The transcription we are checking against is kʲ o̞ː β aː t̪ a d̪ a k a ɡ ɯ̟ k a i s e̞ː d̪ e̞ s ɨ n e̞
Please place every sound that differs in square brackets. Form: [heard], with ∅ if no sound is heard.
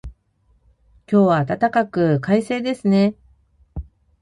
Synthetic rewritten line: kʲ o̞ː β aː t̪ a [t̪] a k a [k] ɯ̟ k a i s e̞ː d̪ e̞ s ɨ n e̞